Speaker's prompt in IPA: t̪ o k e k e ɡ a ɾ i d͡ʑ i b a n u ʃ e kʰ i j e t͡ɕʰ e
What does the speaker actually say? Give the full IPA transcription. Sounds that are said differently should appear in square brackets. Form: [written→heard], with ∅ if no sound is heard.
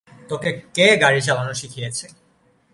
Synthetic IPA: t̪ o k e k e ɡ a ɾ i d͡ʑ [i→a] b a n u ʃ [e→i] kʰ i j e t͡ɕʰ e